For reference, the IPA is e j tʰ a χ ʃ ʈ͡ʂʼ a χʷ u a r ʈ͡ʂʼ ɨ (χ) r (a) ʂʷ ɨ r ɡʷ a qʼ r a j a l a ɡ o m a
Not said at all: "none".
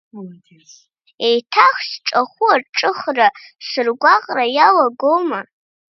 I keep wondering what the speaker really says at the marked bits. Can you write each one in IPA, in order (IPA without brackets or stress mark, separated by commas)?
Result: χ, a